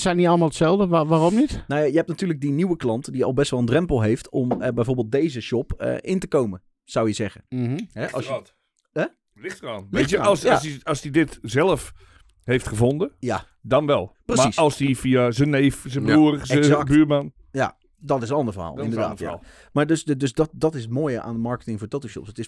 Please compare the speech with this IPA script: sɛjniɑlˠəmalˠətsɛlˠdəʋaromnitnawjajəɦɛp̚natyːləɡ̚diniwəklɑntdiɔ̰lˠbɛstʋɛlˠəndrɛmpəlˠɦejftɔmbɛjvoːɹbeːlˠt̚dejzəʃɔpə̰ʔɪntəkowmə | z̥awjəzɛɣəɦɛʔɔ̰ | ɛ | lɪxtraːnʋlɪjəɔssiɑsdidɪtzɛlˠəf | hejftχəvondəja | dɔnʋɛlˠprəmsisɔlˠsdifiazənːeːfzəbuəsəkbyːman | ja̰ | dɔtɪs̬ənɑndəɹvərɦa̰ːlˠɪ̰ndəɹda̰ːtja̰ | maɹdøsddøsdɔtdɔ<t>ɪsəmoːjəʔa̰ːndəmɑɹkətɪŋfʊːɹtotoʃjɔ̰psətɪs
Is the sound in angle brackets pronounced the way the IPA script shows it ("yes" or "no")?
yes